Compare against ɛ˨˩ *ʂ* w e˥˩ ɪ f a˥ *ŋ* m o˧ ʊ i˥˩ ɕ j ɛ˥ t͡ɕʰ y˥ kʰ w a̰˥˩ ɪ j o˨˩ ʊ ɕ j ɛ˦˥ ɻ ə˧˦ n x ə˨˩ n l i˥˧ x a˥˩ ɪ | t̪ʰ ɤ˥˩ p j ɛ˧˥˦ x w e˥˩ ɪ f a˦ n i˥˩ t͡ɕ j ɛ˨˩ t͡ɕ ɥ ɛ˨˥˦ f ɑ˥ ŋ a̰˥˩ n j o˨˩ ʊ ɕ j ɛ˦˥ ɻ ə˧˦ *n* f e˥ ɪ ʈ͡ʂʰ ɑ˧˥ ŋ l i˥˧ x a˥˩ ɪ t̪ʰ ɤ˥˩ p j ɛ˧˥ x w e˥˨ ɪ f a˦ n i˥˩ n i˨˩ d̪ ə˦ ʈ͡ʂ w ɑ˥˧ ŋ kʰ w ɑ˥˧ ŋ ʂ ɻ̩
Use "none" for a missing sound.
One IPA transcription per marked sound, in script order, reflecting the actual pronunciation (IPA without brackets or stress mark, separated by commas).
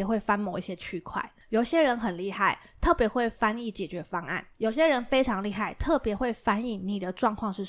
x, n, n